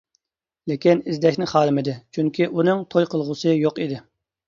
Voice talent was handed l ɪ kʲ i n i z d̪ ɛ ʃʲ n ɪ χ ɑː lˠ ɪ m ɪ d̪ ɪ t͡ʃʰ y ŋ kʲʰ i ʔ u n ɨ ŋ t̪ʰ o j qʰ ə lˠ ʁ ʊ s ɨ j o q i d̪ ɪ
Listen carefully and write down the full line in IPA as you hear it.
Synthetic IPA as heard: l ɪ kʲ i n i z d̪ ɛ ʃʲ n ɪ χ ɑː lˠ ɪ m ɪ d̪ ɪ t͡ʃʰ y ŋ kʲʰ i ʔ u n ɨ ŋ t̪ʰ o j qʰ ə lˠ ʁ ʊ s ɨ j o q i d̪ ɪ